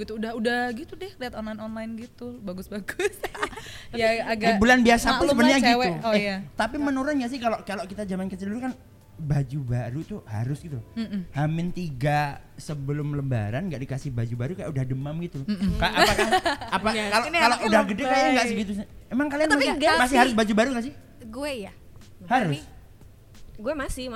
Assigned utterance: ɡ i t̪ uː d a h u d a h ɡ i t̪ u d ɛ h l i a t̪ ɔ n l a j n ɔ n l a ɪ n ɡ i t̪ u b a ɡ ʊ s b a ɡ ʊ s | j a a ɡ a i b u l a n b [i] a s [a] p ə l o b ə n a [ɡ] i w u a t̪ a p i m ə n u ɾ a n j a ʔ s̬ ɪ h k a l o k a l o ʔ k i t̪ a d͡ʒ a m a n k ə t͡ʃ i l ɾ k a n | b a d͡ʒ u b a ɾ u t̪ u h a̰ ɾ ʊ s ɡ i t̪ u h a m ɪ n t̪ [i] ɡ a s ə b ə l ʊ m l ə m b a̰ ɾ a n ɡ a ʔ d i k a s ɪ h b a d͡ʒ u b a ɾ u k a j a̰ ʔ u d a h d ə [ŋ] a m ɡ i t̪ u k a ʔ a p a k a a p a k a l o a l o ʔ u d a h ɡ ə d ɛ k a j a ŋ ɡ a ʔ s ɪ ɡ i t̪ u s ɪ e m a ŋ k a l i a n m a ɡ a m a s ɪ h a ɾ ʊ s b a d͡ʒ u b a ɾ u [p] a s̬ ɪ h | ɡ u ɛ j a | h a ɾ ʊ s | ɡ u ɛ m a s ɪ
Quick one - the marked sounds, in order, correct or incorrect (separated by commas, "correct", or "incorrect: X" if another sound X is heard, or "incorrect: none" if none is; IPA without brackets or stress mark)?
correct, correct, correct, correct, incorrect: m, incorrect: k